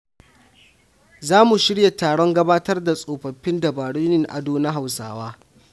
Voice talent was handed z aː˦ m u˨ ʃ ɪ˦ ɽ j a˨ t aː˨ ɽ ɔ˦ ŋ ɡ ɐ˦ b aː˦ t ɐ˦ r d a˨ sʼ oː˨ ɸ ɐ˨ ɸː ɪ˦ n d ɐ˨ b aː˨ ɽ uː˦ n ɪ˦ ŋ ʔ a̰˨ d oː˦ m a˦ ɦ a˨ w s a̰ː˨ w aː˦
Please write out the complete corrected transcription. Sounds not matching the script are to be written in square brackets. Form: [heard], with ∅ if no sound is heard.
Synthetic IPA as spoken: z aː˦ m u˨ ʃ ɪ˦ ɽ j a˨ t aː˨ ɽ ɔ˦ ŋ ɡ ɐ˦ b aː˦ t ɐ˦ r d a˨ sʼ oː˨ ɸ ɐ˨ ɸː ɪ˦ n d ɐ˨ b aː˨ ɽ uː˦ n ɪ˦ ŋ ʔ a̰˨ d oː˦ [n] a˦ ɦ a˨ w s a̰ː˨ w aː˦